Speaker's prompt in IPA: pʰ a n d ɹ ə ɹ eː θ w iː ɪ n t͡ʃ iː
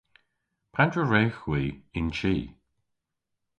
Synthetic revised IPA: pʰ a n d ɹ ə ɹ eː x w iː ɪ n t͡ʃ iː

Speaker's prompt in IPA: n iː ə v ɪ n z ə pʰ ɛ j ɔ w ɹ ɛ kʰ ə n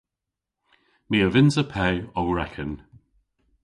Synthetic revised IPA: m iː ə v ɪ n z ə pʰ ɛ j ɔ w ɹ ɛ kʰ ə n

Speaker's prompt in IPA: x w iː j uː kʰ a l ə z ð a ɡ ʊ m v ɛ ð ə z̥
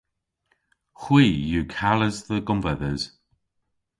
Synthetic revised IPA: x w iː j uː kʰ a l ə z ð ə ɡ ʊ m v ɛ ð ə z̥

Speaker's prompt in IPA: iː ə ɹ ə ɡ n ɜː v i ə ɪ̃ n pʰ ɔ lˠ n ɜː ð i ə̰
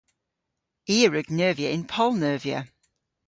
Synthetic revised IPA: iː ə ɹ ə ɡ n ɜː v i ə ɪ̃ n pʰ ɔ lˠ n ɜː v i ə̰

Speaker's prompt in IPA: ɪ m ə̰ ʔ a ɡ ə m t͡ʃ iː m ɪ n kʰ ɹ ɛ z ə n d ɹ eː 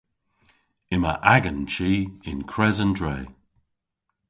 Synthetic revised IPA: ɪ m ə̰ ʔ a ɡ ə n t͡ʃ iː ɪ n kʰ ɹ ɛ z ə n d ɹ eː

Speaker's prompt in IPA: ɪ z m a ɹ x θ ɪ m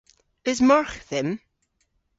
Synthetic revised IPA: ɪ z m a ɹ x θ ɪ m

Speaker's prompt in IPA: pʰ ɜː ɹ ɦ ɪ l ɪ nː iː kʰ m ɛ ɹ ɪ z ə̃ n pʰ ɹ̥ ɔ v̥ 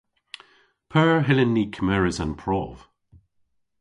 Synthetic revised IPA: pʰ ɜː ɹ ɦ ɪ l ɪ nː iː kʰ m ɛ ɹ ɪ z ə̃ n pʰ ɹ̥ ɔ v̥

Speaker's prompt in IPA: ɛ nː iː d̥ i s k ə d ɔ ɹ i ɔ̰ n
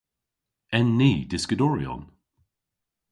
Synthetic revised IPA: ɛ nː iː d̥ ɪ s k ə d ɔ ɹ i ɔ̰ n

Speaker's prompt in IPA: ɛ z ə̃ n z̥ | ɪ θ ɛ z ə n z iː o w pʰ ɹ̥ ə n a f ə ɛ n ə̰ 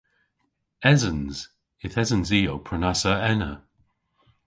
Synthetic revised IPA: ɛ z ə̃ n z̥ | ɪ θ ɛ z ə n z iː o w pʰ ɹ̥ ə n a s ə ɛ n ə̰

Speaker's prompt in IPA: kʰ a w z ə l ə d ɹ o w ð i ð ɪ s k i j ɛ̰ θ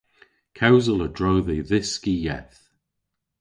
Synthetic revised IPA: kʰ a w z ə l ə d ɹ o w ð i ð ɪ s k i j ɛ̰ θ

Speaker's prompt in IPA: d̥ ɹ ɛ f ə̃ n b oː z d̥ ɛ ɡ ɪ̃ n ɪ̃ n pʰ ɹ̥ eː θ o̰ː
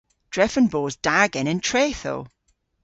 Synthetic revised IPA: d̥ ɹ ɛ f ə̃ n b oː z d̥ a ɡ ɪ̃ n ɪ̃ n tʰ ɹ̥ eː θ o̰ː

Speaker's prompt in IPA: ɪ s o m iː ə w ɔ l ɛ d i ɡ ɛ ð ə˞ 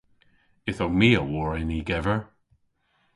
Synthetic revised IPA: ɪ θ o m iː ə w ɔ ɹ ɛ n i ɡ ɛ v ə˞

